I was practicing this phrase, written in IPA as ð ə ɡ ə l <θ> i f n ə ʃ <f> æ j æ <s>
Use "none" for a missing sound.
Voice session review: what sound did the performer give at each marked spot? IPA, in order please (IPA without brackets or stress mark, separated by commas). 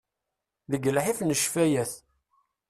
ħ, f, θ